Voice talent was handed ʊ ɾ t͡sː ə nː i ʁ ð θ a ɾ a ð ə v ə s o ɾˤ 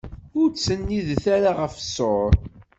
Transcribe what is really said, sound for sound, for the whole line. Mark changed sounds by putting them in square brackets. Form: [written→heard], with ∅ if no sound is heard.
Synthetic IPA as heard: ʊ ɾ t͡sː ə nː i [ʁ→∅] ð θ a ɾ a [ð→ʁ] ə [v→f] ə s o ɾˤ